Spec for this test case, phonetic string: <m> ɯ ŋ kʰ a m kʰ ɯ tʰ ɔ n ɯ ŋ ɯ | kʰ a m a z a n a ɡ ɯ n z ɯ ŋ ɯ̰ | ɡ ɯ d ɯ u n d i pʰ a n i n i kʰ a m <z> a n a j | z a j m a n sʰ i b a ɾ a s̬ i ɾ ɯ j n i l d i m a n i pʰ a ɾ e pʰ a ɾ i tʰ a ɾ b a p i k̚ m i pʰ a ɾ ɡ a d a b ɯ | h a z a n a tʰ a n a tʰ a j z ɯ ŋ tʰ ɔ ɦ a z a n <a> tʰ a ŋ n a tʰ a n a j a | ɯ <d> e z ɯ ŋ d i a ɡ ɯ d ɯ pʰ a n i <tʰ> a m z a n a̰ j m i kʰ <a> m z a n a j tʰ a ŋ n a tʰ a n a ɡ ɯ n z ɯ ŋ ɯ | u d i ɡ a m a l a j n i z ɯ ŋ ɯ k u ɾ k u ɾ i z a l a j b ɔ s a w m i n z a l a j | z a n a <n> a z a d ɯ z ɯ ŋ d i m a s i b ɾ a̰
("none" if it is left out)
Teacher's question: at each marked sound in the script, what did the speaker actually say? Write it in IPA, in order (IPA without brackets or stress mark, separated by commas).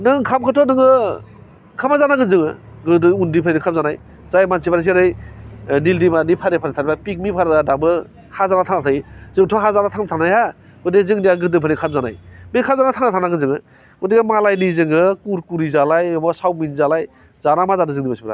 n, z, a, d, kʰ, a, m